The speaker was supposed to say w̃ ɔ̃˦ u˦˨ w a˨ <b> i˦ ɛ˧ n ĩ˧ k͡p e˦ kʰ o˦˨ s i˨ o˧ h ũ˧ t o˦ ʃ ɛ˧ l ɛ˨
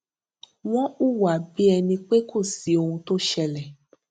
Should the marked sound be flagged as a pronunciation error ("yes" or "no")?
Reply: no